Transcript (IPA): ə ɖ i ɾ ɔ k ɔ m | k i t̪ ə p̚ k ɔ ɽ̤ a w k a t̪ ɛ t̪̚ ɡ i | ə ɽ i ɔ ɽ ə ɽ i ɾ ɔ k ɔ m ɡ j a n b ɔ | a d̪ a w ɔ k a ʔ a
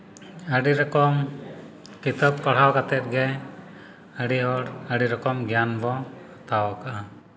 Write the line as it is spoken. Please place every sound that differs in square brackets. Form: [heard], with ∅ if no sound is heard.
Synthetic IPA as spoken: ə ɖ i ɾ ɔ k ɔ m | k i t̪ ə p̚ k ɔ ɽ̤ a w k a t̪ ɛ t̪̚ ɡ [ɛ] | ə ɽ i ɔ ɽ ə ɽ i ɾ ɔ k ɔ m ɡ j a n b ɔ | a [t̪] a w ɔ k a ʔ a